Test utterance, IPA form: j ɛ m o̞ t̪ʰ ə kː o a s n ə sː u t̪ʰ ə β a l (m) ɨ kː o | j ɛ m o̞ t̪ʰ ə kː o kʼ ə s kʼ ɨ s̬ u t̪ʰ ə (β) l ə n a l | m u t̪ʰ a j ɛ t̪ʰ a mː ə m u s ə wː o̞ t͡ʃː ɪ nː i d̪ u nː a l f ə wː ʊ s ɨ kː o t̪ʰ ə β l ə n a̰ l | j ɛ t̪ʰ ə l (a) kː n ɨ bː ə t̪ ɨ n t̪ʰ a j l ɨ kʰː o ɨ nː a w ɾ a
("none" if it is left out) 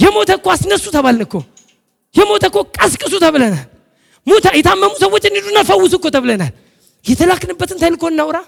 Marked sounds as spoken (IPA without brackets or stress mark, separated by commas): n, β, a